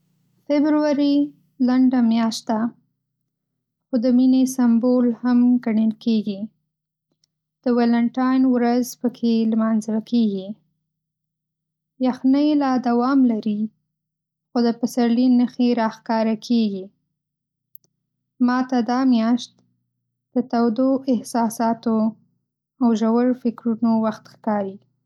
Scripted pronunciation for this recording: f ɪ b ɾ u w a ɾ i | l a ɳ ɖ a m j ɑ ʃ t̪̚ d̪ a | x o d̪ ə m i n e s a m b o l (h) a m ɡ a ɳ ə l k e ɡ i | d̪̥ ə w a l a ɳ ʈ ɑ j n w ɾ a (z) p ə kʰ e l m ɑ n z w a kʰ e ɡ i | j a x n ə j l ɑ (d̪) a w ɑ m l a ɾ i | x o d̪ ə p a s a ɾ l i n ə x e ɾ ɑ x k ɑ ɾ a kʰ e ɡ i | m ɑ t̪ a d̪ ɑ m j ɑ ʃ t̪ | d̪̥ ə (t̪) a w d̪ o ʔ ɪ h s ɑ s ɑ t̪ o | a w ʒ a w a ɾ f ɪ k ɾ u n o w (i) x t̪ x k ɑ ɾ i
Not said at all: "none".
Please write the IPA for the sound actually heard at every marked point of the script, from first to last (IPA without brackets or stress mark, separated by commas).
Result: h, z, d̪, t̪, a